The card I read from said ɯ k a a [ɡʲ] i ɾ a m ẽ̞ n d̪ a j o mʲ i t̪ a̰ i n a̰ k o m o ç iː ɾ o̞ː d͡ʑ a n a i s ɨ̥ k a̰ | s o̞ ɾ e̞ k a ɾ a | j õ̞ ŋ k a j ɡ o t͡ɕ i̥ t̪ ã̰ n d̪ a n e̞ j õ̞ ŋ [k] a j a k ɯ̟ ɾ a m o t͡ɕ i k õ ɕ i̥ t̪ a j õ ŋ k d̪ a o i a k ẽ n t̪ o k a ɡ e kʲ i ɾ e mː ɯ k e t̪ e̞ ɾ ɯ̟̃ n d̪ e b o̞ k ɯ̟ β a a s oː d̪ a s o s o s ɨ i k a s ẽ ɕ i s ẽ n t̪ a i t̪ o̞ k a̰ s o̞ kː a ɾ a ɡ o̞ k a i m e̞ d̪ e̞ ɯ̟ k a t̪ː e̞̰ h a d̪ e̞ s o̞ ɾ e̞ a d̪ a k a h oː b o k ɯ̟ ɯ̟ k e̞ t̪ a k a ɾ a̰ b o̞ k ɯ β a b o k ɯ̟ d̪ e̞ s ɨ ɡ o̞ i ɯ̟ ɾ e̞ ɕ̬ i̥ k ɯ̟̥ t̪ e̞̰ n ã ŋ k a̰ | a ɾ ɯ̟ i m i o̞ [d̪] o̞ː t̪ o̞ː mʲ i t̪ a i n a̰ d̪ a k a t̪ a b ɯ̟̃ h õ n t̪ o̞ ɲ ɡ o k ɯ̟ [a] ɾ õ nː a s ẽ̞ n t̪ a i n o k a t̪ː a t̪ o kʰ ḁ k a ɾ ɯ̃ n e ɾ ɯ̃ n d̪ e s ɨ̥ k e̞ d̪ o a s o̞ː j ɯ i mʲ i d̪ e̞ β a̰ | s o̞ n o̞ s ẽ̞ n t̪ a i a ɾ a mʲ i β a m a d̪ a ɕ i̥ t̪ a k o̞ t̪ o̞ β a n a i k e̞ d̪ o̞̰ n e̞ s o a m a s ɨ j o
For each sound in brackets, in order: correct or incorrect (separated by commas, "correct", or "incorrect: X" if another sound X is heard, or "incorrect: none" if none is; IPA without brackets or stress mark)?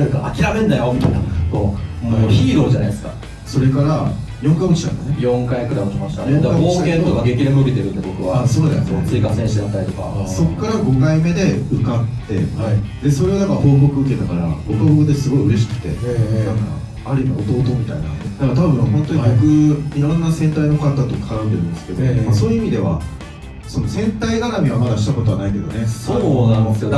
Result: incorrect: kʲ, correct, incorrect: t̪, incorrect: i